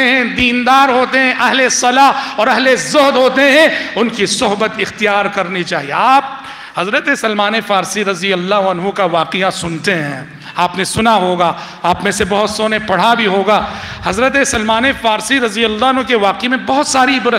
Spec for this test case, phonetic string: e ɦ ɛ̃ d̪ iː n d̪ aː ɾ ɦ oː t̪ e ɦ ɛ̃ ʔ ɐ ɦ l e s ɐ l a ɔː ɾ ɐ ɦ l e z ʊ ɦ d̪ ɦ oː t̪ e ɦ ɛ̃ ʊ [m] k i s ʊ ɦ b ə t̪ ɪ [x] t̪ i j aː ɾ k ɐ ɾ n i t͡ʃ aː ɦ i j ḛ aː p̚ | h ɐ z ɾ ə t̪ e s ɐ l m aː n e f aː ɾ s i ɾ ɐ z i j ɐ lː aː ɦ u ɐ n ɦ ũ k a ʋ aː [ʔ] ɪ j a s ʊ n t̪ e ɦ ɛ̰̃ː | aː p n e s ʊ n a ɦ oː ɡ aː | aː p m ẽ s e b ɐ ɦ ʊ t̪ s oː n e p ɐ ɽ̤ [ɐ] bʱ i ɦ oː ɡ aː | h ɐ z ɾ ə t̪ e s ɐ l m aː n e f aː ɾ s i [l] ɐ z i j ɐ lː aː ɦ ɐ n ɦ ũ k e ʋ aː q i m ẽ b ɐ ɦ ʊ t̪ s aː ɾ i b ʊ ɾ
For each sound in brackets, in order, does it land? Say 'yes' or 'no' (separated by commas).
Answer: no, yes, no, no, no